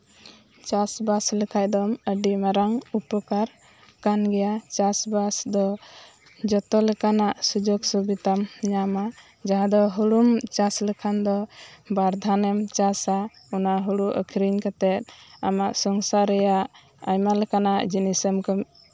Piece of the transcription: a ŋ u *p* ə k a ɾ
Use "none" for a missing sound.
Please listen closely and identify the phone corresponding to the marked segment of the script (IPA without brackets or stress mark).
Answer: p